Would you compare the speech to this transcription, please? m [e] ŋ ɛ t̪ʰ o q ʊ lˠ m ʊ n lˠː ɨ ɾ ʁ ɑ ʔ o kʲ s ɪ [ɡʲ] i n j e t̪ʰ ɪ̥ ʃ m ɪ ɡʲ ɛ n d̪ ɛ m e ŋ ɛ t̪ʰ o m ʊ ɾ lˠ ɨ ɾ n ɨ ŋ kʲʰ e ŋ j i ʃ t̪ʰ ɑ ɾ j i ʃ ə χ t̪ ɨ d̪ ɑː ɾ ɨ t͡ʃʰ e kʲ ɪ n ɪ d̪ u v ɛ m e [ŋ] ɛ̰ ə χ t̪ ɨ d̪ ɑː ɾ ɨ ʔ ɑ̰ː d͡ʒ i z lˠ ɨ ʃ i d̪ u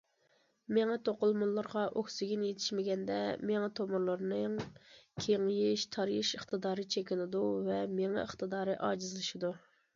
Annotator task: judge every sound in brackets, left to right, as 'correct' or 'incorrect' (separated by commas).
correct, correct, correct